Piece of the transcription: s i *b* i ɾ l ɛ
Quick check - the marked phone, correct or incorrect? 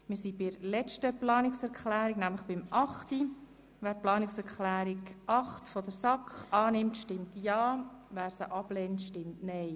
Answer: correct